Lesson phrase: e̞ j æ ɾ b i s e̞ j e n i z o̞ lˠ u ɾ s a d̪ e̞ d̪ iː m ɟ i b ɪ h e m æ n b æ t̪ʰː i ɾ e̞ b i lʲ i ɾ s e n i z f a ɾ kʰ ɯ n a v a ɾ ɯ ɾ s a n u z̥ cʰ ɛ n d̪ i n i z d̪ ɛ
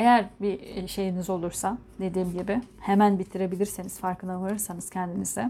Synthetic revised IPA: e̞ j æ ɾ b i ʃ e̞ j i n i z o̞ lˠ u ɾ s a d̪ e̞ d̪ iː m ɟ i b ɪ h e m æ n b i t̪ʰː i ɾ e̞ b i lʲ i ɾ s e n i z f a ɾ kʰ ɯ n a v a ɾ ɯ ɾ s a n ɯ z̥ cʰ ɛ n d̪ i n i z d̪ ɛ